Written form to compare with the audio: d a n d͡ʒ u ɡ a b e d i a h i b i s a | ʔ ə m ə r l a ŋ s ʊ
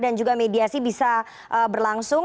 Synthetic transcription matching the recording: d a n d͡ʒ u ɡ a m e d i a s i b i s a | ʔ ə b ə r l a ŋ s ʊ